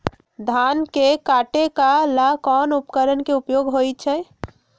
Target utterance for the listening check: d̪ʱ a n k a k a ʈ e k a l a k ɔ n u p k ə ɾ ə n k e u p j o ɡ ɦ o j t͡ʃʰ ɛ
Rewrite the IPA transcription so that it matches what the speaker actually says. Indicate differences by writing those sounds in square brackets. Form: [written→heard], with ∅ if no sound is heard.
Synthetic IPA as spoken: d̪ʱ a n k [a→e] k a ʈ e k a l a k ɔ n u p k ə ɾ ə n k e u p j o ɡ ɦ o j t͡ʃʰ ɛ